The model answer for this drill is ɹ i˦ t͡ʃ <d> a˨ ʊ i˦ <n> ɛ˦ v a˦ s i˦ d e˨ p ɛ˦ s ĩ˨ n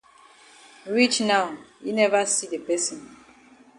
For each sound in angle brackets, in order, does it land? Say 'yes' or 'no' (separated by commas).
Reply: no, yes